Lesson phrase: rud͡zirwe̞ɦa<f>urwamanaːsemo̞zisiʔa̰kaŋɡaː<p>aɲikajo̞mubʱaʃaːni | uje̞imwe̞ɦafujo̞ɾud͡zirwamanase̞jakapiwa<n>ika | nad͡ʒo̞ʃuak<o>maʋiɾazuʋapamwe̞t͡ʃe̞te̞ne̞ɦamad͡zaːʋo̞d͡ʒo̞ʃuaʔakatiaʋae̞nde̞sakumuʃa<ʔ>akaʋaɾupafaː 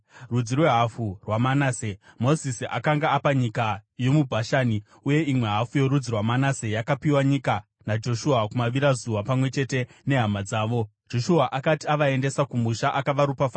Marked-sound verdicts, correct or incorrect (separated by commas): correct, correct, incorrect, incorrect, correct